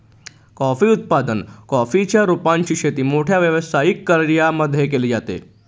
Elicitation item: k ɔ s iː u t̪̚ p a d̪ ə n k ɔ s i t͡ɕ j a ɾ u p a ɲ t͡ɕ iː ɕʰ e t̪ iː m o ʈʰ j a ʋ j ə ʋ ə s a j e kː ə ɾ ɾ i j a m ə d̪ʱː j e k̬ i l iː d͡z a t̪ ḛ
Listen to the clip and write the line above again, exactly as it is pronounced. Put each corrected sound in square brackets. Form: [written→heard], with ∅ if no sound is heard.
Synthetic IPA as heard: k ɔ [s→f] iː u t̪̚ p a d̪ ə n k ɔ [s→f] i t͡ɕ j a ɾ u p a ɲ t͡ɕ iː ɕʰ e t̪ iː m o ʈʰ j a ʋ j ə ʋ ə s a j [e→i] kː ə ɾ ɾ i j a m ə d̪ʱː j e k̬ [i→e] l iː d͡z a t̪ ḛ